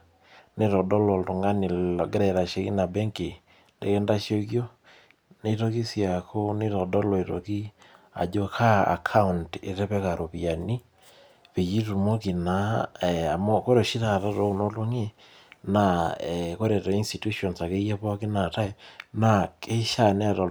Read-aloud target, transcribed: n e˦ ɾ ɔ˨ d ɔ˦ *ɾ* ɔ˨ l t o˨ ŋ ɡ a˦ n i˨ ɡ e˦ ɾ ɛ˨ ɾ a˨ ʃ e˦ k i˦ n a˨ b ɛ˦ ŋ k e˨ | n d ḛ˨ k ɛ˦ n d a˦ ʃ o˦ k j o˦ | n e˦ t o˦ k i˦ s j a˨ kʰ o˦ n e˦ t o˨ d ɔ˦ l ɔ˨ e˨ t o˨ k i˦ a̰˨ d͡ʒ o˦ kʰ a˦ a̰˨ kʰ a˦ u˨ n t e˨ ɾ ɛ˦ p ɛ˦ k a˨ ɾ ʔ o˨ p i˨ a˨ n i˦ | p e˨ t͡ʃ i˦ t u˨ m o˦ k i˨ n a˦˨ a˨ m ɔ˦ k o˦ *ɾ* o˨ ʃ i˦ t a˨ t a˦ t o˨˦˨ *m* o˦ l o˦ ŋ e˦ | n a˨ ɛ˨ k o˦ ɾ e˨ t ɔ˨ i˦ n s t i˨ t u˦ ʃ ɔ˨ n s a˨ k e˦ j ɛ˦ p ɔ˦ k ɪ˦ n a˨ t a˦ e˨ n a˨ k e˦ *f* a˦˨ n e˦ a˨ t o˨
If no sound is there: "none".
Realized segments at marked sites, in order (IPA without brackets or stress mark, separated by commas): l, ɾ, n, ʃ